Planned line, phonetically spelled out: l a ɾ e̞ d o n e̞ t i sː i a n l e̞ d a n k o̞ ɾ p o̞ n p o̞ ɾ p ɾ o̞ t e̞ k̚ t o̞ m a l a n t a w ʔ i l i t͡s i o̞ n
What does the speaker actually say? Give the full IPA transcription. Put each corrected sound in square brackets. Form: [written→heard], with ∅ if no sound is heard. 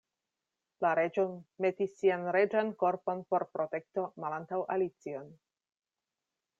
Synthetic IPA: l a ɾ e̞ [d→d͡ʒ] o [n→m] e̞ t i sː i a n [l→ɾ] e̞ [d→d͡ʒ] a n k o̞ ɾ p o̞ n p o̞ ɾ p ɾ o̞ t e̞ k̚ t o̞ m a l a n t a w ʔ [i→a] l i t͡s i o̞ n